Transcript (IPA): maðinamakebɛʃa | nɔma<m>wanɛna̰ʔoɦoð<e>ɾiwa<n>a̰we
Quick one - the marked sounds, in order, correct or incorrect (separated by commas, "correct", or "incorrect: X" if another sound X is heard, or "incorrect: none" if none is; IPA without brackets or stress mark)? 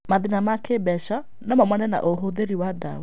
correct, correct, incorrect: d